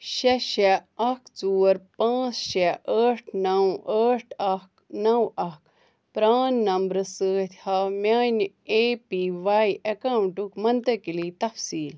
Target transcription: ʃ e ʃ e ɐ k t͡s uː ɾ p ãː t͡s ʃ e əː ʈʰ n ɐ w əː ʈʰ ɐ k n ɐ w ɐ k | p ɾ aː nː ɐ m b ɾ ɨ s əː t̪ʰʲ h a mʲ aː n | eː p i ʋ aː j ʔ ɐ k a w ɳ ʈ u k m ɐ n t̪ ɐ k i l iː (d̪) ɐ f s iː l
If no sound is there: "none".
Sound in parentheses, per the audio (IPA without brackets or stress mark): t̪